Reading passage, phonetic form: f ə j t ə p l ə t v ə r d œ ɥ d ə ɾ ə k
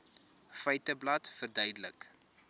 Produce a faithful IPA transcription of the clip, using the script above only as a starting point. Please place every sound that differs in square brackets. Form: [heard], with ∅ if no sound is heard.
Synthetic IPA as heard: f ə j t ə [b] l [ɐ] t [f] ə r d œ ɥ d ə [l] ə k